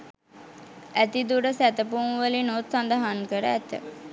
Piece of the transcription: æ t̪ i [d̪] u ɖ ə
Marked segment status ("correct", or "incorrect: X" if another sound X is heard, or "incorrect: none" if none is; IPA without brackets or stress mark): correct